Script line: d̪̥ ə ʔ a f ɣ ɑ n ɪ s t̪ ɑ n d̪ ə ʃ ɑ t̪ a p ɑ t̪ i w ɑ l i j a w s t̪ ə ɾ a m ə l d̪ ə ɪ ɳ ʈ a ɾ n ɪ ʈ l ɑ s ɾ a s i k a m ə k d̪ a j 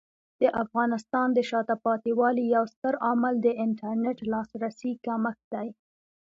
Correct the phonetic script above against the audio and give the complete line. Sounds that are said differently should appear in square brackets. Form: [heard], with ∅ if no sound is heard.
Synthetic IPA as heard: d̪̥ ə ʔ a f ɣ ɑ n ɪ s t̪ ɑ n d̪ ə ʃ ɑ t̪ a p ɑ t̪ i w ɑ l i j a w s t̪ ə ɾ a m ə l d̪ ə ɪ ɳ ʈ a ɾ n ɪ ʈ l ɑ s ɾ a s i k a m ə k d̪ a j